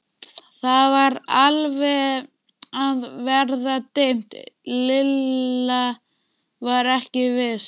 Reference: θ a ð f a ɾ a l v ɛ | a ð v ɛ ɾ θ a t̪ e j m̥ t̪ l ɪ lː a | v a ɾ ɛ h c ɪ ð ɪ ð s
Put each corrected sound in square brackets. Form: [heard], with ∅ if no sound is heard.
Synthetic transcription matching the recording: θ a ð [v] a ɾ a l v ɛ | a ð v ɛ ɾ [ð] a t̪ e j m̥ t̪ l ɪ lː a | v a ɾ ɛ h c ɪ [v] ɪ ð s

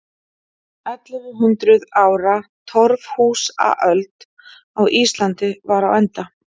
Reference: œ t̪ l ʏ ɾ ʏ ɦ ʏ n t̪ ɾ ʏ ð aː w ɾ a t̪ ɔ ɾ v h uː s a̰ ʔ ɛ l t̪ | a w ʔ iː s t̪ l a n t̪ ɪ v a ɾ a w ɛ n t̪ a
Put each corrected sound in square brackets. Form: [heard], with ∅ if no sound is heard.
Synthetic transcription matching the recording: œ t̪ l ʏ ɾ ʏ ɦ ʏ n t̪ ɾ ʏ ð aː w ɾ a [t̪ʰ] ɔ ɾ v h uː s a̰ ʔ [œ] l t̪ | a w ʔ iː s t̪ l a n t̪ ɪ v a ɾ a w ɛ n t̪ a

